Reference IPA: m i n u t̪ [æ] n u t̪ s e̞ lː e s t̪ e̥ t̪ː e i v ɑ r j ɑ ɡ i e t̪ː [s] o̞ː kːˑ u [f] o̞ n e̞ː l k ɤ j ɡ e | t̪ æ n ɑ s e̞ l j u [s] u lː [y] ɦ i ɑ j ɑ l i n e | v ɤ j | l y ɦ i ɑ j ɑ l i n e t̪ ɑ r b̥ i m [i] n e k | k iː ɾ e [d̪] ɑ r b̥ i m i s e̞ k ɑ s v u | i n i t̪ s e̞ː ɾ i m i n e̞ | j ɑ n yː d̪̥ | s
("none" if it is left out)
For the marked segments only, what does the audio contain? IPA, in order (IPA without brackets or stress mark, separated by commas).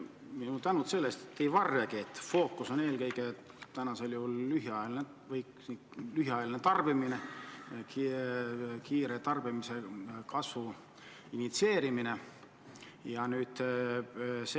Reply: æ, f, s, h, y, i, t̪